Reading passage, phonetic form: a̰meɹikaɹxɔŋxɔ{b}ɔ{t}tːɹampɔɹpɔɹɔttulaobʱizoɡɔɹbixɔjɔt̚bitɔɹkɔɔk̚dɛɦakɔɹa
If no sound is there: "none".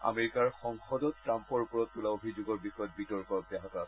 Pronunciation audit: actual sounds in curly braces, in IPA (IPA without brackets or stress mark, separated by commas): d, t